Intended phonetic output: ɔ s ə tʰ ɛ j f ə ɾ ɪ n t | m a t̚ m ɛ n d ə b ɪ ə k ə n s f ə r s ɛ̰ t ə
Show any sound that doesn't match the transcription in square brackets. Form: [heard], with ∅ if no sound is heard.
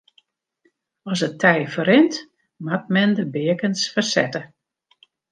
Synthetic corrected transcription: ɔ s ə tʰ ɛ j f ə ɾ ɪ n t | m a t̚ m ɛ n d ə b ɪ ə k ə n s f ə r s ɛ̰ t ə